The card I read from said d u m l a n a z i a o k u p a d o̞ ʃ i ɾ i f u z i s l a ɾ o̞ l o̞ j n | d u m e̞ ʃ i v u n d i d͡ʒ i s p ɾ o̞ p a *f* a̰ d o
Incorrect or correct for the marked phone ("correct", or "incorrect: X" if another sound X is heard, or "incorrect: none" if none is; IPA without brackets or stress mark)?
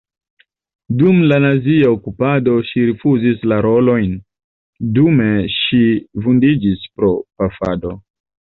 correct